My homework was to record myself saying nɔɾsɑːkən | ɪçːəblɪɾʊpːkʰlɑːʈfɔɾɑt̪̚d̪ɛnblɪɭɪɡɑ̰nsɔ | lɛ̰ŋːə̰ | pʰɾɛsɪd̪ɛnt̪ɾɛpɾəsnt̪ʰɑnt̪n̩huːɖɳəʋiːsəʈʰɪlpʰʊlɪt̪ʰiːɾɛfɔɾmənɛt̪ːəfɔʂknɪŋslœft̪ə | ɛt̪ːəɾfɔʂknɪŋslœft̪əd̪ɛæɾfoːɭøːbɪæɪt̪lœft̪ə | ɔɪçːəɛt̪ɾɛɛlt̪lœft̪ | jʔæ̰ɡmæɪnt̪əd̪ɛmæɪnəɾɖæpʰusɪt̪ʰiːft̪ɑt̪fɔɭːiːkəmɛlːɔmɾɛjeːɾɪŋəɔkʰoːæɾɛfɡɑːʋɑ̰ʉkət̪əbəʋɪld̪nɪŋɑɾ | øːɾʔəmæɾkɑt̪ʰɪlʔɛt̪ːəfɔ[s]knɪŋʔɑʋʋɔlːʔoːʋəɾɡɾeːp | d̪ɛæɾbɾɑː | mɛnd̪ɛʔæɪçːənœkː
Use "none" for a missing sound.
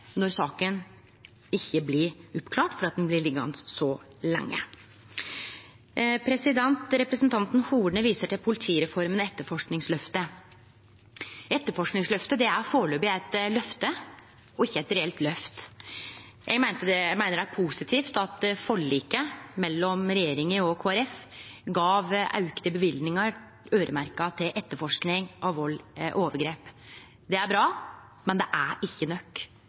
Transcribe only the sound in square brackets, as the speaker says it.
ʂ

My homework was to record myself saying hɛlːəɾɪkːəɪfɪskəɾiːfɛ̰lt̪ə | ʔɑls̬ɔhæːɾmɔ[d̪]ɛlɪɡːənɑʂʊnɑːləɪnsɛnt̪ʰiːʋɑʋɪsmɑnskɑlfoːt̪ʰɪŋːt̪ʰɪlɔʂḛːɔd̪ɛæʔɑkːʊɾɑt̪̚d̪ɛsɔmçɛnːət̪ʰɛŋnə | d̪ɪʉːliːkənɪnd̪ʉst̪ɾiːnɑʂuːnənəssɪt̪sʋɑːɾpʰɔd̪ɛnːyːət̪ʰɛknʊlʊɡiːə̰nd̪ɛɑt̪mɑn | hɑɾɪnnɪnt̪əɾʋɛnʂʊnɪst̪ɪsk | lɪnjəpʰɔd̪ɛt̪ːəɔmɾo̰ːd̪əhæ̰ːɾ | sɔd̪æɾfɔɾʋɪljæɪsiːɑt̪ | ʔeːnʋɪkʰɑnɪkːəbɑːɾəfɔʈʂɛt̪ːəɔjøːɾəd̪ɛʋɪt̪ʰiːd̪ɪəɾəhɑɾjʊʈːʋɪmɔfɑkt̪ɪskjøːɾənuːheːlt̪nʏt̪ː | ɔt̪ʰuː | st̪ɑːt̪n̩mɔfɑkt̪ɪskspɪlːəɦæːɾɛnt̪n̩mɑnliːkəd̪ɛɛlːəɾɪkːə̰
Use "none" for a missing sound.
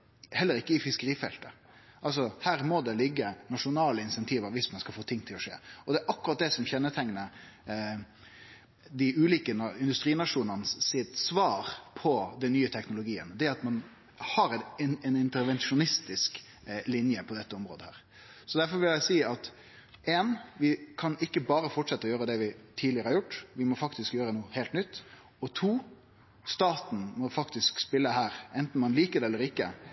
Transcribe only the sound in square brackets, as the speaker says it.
d̪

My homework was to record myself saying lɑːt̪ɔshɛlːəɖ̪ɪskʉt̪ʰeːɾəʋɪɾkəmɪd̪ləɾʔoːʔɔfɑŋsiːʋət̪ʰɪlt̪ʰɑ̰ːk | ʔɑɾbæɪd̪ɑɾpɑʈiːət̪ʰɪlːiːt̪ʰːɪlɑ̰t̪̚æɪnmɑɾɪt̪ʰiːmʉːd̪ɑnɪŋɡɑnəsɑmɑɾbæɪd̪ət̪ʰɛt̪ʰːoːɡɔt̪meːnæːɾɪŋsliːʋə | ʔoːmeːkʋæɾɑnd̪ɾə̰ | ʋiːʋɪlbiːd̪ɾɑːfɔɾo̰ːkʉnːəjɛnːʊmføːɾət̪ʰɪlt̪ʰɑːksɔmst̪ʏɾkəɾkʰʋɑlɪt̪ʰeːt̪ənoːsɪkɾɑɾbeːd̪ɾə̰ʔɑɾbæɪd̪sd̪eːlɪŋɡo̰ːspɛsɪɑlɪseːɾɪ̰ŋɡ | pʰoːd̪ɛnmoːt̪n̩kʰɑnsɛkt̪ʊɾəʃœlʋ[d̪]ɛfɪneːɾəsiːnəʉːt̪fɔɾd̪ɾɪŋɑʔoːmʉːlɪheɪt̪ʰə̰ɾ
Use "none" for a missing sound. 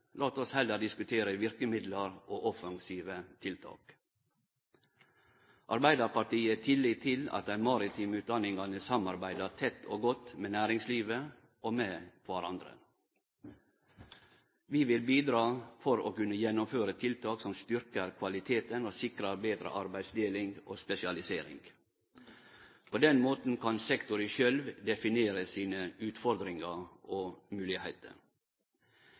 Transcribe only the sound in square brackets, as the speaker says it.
d̪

